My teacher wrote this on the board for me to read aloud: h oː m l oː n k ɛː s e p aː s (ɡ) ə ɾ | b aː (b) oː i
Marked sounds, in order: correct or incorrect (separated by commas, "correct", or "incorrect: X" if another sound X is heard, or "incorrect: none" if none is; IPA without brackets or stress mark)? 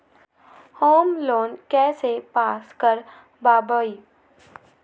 incorrect: k, correct